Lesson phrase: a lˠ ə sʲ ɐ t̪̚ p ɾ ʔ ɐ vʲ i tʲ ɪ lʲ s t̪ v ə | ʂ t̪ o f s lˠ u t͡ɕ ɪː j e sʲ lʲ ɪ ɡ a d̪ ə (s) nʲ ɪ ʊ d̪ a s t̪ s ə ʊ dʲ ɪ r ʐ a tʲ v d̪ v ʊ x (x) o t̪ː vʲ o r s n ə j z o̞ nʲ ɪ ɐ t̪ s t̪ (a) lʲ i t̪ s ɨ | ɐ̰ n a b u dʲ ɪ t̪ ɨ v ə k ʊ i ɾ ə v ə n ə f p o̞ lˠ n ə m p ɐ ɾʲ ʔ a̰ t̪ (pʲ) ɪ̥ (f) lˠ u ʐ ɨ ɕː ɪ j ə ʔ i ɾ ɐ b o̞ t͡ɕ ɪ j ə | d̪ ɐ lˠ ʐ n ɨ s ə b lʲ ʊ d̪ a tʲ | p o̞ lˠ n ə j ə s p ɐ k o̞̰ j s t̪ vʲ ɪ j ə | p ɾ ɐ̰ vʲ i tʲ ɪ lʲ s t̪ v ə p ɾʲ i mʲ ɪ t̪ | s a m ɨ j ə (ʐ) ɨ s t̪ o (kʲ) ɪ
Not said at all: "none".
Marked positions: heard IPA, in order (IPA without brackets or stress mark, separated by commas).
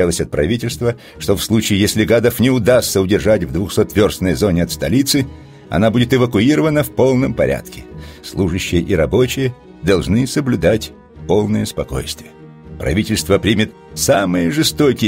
f, s, ɐ, kʲ, s, ʐ, kʲ